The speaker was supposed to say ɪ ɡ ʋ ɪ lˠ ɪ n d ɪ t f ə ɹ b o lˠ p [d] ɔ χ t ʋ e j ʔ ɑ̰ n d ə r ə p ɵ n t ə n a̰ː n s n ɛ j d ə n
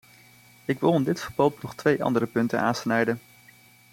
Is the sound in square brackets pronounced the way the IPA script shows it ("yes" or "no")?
no